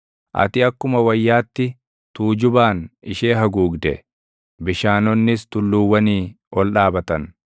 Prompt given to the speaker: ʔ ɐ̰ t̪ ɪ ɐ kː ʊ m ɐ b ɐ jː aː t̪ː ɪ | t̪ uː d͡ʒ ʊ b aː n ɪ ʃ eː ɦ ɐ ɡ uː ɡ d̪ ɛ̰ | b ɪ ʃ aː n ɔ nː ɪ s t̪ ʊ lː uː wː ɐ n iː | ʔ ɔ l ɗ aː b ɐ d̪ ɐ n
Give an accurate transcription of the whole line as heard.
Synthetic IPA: ʔ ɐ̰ t̪ ɪ ɐ kː ʊ m ɐ w ɐ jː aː t̪ː ɪ | t̪ uː d͡ʒ ʊ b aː n ɪ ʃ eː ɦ ɐ ɡ uː ɡ d̪ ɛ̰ | b ɪ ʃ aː n ɔ nː ɪ s t̪ ʊ lː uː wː ɐ n iː | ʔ ɔ l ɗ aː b ɐ t̪ ɐ n